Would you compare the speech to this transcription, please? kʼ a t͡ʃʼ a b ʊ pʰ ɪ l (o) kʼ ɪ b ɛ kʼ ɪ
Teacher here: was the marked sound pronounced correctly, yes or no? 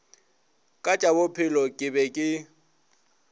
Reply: no